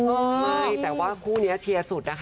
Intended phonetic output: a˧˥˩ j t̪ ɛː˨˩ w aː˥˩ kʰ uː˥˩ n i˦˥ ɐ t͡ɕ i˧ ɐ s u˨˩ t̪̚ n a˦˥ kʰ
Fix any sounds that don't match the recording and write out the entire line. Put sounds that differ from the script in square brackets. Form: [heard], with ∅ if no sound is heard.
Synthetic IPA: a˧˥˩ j t̪ ɛː˨˩ w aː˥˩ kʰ uː˥˩ n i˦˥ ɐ [t͡ɕʰ] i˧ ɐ s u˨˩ t̪̚ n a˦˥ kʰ